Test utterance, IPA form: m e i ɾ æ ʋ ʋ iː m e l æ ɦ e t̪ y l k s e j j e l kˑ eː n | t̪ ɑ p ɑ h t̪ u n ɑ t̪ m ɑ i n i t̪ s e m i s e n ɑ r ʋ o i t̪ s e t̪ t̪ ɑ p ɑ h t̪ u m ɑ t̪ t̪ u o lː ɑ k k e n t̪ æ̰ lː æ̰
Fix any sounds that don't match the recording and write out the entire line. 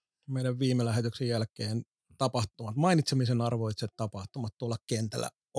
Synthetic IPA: m e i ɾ æ ʋ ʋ iː m e l æ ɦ e t̪ y k s e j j æ l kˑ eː n | t̪ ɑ p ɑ h t̪ u m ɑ t̪ m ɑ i n i t̪ s e m i s e n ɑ r ʋ o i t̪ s e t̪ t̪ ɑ p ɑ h t̪ u m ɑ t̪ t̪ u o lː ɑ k k e n t̪ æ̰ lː æ̰